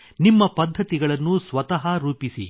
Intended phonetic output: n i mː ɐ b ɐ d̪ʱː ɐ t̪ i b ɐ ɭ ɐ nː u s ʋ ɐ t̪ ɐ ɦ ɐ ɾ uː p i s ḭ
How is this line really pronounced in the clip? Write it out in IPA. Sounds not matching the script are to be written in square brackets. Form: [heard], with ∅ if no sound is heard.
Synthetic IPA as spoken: n i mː ɐ [p] ɐ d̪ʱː ɐ t̪ i [ɡ] ɐ ɭ ɐ nː u s ʋ ɐ t̪ ɐ ɦ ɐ ɾ uː p i s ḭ